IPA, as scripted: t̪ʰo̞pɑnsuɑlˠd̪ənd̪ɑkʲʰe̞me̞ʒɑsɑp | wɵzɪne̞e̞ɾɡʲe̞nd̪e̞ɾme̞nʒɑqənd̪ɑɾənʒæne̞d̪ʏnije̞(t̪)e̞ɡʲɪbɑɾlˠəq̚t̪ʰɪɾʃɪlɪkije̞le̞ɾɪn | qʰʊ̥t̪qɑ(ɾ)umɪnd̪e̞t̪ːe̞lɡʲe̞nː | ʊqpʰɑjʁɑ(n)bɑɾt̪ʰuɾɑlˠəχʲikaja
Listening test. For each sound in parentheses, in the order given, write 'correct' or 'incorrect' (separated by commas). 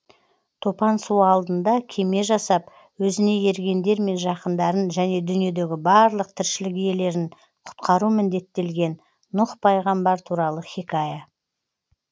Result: incorrect, correct, incorrect